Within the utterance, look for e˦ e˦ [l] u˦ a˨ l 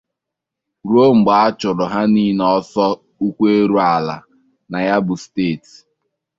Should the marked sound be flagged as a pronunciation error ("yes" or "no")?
yes